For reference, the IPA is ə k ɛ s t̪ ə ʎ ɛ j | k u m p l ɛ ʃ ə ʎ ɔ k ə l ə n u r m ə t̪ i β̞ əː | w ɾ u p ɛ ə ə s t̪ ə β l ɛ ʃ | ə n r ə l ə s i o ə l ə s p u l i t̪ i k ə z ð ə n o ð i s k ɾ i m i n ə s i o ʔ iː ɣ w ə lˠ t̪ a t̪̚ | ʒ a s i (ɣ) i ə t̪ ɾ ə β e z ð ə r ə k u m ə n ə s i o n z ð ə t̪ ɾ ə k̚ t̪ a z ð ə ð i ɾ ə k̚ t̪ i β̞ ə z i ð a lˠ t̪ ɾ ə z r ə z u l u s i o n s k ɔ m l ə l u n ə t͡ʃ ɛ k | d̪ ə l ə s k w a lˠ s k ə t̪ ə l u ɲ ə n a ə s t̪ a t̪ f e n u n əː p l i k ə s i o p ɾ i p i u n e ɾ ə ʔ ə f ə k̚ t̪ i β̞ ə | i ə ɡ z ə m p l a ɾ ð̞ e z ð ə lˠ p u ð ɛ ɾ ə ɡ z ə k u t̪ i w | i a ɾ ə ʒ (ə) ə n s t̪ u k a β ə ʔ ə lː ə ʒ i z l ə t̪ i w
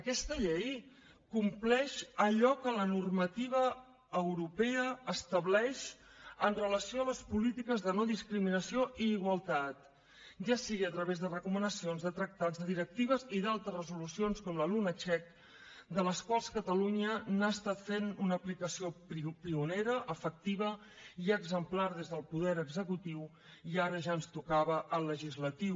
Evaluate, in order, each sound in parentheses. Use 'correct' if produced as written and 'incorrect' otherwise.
correct, incorrect

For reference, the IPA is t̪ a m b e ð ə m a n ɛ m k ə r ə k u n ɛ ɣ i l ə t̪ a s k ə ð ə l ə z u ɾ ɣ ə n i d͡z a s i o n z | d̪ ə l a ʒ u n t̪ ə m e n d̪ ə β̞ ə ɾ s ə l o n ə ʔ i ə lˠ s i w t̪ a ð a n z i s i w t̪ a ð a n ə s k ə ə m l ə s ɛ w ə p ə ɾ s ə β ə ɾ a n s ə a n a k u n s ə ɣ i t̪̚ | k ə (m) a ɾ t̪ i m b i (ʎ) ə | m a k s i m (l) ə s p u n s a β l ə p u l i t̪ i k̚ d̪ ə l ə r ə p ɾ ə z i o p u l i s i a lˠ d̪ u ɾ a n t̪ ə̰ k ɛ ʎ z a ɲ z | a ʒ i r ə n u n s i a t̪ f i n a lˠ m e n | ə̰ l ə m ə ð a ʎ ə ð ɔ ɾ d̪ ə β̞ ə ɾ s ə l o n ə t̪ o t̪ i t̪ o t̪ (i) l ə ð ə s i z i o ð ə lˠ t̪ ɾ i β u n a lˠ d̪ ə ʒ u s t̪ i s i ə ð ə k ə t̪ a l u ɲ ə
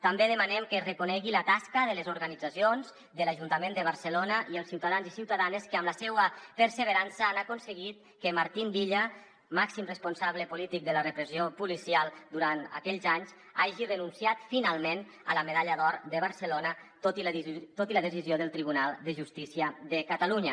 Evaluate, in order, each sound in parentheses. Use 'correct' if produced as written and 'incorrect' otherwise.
correct, correct, incorrect, correct

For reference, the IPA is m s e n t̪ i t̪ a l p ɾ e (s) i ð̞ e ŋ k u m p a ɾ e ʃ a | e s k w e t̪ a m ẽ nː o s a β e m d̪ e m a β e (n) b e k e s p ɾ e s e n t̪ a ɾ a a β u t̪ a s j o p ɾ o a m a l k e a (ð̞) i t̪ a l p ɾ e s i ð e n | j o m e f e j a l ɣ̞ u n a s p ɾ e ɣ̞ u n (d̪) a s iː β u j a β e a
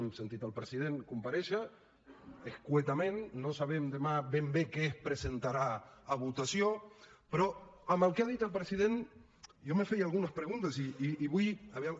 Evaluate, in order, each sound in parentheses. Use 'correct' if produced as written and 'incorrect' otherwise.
correct, incorrect, correct, incorrect

